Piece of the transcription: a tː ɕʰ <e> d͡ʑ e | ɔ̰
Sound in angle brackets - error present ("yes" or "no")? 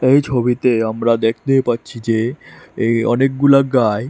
yes